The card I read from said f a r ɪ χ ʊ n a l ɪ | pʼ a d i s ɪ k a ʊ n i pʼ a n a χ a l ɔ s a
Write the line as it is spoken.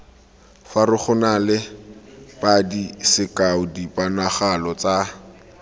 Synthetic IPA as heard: f a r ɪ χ ʊ n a l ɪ | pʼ a d i s ɪ k a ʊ d i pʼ a n a χ a l ɔ t͡s a